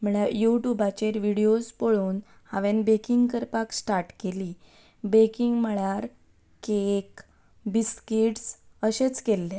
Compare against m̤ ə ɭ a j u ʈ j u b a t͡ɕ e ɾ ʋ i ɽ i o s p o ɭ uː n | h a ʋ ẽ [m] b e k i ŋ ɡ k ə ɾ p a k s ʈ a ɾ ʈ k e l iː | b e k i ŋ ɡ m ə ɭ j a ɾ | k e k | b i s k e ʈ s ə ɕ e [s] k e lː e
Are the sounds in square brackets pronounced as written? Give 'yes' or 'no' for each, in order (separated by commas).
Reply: no, no